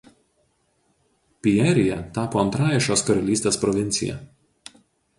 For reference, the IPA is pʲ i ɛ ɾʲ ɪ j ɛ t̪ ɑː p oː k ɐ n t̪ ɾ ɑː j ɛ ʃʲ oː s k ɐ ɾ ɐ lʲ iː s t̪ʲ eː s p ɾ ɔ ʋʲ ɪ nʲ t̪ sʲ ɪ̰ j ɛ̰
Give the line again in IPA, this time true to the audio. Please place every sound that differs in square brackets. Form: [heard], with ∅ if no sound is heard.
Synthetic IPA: pʲ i ɛ ɾʲ ɪ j ɛ t̪ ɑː p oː [∅] ɐ n t̪ ɾ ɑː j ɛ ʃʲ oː s k ɐ ɾ ɐ lʲ iː s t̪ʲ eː s p ɾ ɔ ʋʲ ɪ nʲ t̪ sʲ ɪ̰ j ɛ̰